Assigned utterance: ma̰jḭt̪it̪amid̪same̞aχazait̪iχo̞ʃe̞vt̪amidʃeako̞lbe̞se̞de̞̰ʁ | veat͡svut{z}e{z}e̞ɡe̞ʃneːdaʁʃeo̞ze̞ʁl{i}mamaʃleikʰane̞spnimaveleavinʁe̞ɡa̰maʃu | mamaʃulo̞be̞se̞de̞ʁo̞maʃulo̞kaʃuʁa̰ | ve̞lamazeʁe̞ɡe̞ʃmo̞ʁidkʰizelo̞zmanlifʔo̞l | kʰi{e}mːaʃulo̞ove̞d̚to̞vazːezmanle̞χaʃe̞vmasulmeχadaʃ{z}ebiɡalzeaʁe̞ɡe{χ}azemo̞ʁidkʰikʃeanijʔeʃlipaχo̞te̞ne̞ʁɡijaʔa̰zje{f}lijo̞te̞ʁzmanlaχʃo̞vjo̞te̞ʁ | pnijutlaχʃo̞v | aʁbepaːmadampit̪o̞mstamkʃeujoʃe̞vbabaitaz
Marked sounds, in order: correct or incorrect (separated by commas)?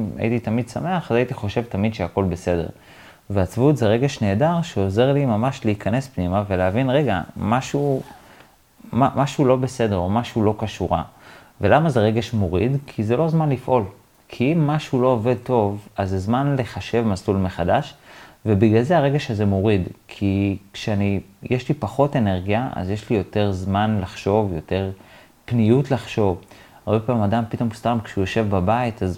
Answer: correct, incorrect, correct, incorrect, incorrect, incorrect, incorrect